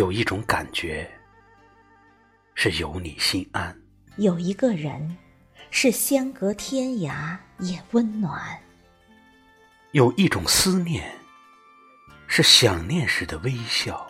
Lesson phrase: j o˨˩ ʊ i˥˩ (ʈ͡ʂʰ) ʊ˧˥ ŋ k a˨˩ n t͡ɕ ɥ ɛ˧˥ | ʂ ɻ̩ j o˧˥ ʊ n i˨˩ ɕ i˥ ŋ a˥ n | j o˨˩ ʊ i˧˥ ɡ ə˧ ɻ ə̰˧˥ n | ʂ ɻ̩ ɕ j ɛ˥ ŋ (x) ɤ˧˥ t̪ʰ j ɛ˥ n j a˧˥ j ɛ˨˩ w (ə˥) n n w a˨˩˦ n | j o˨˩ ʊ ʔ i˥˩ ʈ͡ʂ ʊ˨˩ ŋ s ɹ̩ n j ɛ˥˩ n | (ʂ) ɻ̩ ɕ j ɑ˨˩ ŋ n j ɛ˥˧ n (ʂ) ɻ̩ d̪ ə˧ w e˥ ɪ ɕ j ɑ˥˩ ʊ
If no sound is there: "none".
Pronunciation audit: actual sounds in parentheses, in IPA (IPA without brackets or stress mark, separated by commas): ʈ͡ʂ, k, ə˥, ʂ, ʂ